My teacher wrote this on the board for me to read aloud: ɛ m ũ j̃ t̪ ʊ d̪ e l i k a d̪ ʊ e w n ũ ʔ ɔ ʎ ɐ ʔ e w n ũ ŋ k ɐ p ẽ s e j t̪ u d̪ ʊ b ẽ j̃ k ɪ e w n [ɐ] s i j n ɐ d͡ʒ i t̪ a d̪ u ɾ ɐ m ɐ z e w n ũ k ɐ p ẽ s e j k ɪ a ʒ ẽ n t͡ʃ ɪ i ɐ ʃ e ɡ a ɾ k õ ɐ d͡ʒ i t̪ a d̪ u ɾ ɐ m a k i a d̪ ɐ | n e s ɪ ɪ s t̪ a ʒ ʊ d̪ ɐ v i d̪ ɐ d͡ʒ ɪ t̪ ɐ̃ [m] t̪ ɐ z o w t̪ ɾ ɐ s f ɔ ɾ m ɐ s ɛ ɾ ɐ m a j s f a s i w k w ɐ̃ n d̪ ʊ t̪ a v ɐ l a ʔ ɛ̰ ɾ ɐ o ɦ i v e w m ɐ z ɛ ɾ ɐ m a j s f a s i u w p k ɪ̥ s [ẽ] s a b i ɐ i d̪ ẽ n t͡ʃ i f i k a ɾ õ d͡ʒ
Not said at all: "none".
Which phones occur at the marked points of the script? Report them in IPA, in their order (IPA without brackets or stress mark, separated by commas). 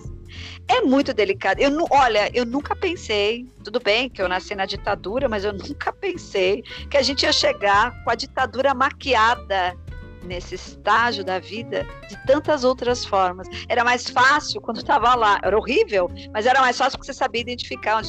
a, n, e